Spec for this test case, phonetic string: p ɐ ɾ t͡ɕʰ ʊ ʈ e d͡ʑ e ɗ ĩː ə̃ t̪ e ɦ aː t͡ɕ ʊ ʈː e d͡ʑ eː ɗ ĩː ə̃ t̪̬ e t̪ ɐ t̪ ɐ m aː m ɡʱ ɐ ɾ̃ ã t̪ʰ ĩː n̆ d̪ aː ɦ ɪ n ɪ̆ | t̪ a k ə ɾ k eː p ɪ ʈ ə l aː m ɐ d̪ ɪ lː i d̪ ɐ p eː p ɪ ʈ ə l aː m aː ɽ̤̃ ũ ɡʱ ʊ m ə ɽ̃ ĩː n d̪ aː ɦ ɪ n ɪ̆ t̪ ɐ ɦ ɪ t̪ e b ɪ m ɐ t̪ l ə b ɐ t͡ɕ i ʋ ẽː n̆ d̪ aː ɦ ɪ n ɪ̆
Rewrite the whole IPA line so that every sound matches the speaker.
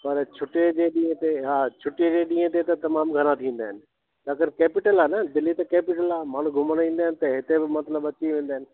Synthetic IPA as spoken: p ɐ ɾ t͡ɕʰ ʊ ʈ e d͡ʑ e ɗ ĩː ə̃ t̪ e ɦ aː t͡ɕʰ ʊ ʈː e d͡ʑ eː ɗ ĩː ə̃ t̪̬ e t̪ ɐ t̪ ɐ m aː m ɡʱ ɐ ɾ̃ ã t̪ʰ ĩː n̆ d̪ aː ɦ ɪ n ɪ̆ | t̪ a k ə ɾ k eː p ɪ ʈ ə l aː n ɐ d̪ ɪ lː i t̪ ɐ k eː p ɪ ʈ ə l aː m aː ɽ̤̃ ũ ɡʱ ʊ m ə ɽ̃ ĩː n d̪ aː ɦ ɪ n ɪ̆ t̪ ɐ ɦ ɪ t̪ e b ɪ m ɐ t̪ l ə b ɐ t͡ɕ i ʋ ẽː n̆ d̪ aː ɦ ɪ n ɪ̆